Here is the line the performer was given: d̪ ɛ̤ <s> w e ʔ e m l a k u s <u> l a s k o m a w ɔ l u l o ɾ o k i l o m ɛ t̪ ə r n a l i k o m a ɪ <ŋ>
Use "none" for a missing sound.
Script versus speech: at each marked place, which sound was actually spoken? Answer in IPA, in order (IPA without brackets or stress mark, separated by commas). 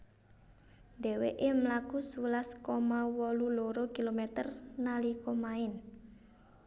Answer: none, u, n